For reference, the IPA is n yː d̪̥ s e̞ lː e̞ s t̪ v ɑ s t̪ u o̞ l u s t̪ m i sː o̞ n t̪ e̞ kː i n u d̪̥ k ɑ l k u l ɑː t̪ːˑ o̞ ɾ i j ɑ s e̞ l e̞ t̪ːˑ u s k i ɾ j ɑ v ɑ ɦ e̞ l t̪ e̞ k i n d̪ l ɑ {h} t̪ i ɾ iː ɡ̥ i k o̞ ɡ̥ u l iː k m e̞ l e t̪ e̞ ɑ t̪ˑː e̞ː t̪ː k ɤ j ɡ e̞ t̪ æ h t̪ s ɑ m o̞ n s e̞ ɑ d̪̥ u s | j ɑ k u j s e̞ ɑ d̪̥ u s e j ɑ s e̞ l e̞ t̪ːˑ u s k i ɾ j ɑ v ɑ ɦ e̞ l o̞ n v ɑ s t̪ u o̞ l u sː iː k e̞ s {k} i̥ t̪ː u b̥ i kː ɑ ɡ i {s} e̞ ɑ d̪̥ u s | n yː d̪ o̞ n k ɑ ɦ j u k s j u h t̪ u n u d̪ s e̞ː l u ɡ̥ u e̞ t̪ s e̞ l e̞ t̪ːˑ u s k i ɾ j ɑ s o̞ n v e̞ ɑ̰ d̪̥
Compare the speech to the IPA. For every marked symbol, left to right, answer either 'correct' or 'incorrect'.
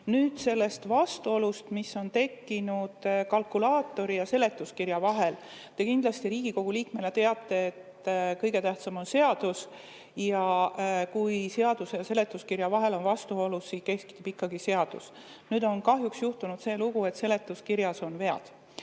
incorrect: s, correct, correct

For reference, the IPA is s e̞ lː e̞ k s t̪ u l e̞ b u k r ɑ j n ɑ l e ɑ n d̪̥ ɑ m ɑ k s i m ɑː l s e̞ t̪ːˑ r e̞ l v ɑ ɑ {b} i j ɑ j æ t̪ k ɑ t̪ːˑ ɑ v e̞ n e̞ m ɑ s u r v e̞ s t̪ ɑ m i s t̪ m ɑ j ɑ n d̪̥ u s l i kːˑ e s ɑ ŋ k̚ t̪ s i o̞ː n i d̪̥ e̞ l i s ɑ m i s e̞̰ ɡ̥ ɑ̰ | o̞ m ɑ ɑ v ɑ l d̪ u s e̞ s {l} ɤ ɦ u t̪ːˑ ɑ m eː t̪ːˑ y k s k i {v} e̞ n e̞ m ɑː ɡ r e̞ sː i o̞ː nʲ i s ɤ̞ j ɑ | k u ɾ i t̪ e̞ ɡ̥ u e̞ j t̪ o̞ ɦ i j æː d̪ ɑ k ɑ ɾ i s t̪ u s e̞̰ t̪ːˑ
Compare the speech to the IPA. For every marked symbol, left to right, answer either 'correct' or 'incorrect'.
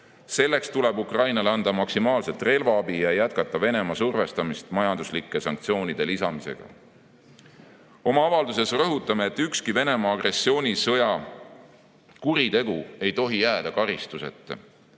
correct, incorrect: r, correct

